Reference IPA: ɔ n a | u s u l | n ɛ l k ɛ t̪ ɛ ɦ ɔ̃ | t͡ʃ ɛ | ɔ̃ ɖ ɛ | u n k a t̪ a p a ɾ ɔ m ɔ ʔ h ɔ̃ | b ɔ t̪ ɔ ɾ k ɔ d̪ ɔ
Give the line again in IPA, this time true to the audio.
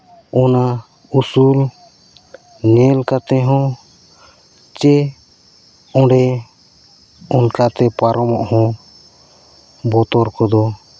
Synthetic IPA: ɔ n a | u s u l | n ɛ l k a t̪ ɛ ɦ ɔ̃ | t͡ʃ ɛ | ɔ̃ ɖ ɛ | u n k a t̪ ɛ p a ɾ ɔ m ɔ ʔ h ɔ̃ | b ɔ t̪ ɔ ɾ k ɔ d̪ ɔ